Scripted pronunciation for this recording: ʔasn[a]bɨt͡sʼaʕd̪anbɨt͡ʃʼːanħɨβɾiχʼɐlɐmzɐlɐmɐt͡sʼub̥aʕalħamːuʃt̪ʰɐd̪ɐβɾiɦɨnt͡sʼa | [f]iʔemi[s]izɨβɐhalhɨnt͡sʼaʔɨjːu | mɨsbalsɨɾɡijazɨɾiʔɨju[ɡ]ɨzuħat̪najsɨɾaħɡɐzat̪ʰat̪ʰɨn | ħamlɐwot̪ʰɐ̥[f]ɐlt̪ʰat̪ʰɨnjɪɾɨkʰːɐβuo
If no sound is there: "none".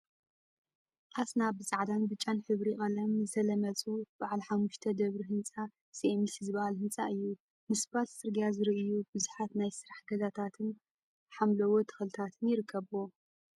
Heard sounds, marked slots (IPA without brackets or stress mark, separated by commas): a, s, s, b, x